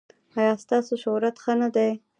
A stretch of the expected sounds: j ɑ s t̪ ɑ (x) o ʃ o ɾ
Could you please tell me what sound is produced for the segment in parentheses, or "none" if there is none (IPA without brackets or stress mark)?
s